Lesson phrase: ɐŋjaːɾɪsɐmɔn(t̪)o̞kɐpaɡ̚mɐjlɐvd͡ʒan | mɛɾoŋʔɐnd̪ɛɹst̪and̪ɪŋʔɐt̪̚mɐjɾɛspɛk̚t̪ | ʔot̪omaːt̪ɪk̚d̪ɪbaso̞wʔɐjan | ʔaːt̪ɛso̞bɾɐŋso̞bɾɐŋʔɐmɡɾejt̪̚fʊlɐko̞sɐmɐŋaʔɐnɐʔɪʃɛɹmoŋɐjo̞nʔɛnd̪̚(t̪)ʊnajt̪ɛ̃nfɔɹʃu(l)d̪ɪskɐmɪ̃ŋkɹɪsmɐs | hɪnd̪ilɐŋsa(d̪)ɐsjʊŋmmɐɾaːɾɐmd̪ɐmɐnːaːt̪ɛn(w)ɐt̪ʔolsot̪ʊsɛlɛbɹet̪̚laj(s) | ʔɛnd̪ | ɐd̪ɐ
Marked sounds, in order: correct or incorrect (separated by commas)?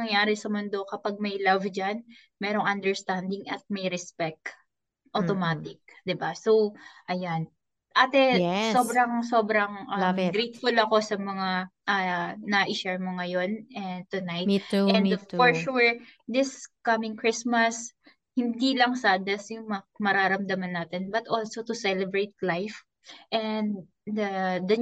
incorrect, correct, incorrect, correct, incorrect, incorrect